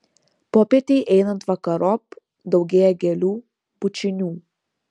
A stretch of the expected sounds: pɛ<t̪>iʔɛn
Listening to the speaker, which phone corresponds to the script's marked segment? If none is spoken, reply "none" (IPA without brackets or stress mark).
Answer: t̪